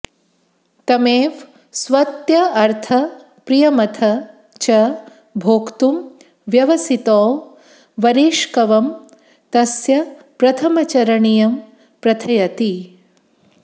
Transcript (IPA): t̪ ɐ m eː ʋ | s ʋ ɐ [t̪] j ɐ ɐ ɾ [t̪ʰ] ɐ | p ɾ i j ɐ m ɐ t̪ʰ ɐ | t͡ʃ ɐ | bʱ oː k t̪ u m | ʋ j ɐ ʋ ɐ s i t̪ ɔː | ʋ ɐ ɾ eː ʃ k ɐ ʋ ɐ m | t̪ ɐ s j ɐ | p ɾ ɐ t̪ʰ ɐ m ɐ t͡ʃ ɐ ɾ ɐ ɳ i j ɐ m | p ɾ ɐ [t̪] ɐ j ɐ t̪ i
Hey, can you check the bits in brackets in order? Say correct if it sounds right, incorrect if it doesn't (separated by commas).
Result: correct, correct, incorrect